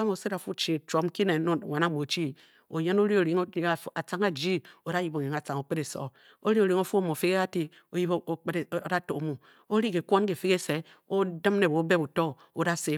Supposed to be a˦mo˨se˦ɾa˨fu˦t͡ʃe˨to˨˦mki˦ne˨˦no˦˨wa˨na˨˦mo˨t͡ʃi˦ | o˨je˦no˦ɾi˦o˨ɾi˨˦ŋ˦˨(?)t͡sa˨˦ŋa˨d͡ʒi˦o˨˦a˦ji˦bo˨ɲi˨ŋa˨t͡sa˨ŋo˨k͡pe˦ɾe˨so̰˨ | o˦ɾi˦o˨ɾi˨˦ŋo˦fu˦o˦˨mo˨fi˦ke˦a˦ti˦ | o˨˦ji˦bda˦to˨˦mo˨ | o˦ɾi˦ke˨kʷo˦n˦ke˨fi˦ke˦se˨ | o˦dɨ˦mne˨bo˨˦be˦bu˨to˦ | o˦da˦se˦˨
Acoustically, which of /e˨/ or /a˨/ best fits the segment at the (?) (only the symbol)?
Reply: a˨